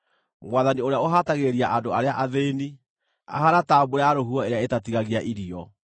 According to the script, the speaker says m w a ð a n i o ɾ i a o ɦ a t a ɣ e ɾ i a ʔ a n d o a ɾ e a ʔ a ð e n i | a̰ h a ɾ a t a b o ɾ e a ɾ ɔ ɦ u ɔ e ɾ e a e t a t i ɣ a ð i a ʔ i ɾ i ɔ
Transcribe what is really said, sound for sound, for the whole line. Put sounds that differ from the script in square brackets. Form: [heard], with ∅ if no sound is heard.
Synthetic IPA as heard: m w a ð a n i o ɾ [e] a o ɦ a t a ɣ e ɾ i a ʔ a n d o a ɾ e a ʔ a ð e n i | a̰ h a ɾ a t a b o ɾ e a ɾ [o] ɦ u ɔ e ɾ e a e t a t i ɣ a [ɣ] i a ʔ i ɾ i ɔ